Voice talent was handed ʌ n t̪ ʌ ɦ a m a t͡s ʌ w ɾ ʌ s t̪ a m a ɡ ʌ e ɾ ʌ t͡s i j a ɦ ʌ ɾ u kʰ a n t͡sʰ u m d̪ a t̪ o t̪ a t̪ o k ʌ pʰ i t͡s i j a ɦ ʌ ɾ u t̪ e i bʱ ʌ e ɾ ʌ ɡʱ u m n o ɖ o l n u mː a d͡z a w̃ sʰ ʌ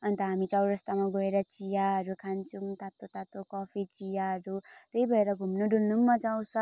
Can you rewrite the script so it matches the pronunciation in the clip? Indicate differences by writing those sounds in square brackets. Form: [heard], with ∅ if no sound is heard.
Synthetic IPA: ʌ n t̪ ʌ ɦ a m [i] t͡s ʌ w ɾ ʌ s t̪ a m a ɡ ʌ e ɾ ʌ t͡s i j a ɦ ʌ ɾ u kʰ a n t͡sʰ u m [t̪] a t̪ o t̪ a t̪ o k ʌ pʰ i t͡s i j a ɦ ʌ ɾ u t̪ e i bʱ ʌ e ɾ ʌ ɡʱ u m n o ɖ [u] l n u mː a d͡z a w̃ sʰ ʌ